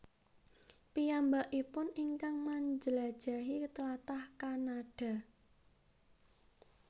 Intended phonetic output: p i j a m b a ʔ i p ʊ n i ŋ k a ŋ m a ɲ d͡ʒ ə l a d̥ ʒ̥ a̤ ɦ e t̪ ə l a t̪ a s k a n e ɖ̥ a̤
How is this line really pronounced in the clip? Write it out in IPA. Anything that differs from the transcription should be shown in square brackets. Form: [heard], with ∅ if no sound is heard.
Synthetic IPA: p i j a m b a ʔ i p ʊ n i ŋ k a ŋ m a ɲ d͡ʒ ə l a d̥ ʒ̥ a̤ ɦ [i] t̪ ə l a t̪ a [h] k a n [a] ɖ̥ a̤